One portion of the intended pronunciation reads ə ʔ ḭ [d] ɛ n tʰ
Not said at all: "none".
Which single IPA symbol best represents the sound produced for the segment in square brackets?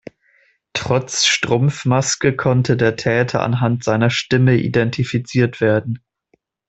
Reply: d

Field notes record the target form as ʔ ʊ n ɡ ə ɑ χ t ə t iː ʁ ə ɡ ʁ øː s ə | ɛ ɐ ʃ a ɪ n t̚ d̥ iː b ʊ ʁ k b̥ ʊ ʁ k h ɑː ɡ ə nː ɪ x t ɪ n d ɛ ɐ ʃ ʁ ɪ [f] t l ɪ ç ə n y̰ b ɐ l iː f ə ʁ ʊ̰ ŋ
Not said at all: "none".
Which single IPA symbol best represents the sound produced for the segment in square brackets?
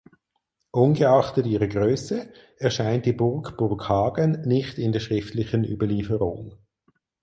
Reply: f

